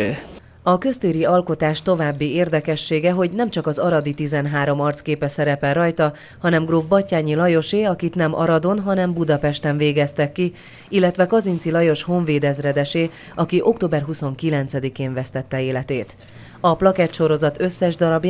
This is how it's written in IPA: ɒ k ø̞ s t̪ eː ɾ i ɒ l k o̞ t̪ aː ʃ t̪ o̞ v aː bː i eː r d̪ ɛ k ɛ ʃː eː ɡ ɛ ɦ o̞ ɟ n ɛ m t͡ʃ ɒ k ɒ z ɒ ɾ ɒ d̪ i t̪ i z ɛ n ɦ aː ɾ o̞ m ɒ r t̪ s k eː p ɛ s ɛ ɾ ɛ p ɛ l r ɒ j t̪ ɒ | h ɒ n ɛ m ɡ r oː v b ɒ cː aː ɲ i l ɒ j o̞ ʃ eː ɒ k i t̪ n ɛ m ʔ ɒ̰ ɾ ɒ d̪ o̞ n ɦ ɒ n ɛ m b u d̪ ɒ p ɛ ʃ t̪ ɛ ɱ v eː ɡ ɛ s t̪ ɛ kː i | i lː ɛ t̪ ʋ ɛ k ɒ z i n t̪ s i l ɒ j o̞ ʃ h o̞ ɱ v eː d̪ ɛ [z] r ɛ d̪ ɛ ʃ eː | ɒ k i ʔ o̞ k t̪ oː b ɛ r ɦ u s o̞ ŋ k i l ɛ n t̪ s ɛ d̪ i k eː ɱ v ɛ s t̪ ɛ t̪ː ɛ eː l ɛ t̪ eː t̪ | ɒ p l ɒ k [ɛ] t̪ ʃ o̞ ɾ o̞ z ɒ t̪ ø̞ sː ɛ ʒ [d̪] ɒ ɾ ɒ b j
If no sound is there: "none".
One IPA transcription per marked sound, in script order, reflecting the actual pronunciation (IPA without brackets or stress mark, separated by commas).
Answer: z, ɛ, d̪